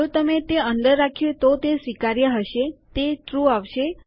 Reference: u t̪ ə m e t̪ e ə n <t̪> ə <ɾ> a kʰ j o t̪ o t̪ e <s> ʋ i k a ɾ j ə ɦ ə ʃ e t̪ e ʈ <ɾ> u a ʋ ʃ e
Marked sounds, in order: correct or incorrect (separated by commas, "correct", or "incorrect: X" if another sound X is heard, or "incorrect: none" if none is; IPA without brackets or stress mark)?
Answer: incorrect: d̪, incorrect: ɾː, correct, correct